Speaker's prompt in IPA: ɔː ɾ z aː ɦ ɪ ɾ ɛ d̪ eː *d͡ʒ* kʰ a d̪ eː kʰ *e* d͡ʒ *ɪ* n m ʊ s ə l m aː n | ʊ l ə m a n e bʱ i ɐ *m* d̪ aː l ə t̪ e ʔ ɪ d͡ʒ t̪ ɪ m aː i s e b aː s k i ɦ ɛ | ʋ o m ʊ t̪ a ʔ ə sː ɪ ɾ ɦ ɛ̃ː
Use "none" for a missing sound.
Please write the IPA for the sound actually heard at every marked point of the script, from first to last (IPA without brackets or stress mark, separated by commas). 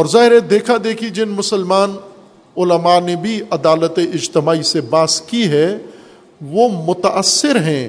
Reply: none, i, ɪ, none